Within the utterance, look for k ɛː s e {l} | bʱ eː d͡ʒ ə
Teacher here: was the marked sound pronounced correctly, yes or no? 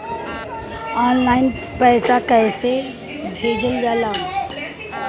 no